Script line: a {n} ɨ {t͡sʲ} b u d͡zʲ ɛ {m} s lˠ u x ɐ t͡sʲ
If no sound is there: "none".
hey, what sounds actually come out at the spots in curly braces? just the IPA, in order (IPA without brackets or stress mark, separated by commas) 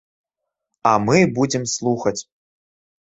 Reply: m, none, m